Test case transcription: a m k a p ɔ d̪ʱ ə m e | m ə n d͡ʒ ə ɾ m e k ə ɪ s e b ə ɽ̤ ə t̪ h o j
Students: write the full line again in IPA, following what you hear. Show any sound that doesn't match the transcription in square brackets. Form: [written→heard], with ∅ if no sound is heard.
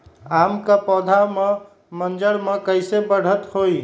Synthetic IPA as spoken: a m k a p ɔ d̪ʱ [ə→a] m e | m ə n d͡ʒ ə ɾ m e k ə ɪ s e b ə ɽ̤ ə t̪ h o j